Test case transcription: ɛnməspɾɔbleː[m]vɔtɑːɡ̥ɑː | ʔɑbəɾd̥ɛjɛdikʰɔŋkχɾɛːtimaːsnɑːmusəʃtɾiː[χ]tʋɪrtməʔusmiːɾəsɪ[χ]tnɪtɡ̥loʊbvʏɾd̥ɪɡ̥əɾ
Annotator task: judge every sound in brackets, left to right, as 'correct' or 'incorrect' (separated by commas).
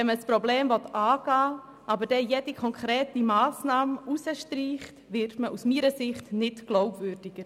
correct, correct, correct